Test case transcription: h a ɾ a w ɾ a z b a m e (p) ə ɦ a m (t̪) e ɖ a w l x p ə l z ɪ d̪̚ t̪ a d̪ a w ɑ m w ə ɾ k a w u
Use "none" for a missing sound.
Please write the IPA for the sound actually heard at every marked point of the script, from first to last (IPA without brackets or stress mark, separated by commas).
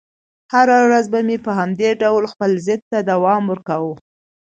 p, d̪